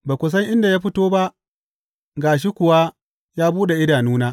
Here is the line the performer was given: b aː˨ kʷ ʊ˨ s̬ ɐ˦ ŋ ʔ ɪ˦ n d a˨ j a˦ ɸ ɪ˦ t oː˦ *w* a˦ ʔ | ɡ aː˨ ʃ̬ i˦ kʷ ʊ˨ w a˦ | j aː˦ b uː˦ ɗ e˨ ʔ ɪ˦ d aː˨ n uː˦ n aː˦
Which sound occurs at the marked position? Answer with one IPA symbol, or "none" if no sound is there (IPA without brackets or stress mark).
b